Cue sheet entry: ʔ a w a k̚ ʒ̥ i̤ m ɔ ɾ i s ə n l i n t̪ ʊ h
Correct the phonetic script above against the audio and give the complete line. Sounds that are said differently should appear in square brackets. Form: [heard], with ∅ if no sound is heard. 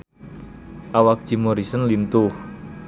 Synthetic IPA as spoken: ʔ a w a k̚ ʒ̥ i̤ m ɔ ɾ i s ə n l i n t̪ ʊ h